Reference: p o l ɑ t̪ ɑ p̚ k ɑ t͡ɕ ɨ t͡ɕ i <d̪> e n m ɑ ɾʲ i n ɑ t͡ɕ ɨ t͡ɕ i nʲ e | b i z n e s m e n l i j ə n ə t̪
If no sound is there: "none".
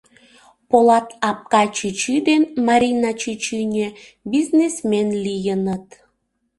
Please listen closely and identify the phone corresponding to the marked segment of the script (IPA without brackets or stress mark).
d̪